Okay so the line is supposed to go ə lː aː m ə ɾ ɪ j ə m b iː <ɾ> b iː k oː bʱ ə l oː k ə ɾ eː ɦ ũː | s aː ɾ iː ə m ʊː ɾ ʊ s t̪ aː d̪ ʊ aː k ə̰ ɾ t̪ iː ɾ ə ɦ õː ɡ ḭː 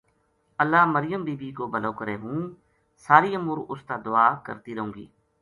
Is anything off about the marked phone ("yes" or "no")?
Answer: yes